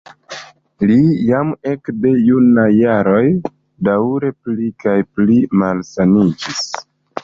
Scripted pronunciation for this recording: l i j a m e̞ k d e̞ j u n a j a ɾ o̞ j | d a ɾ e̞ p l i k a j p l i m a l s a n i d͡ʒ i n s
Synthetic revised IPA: l i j a m e̞ k d e̞ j u n a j a ɾ o̞ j | d a ɾ e̞ p l i k a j p l i m a l s a n i d͡ʒ i s